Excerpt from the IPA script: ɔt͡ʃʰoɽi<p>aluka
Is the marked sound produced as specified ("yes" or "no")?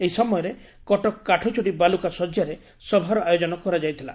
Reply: no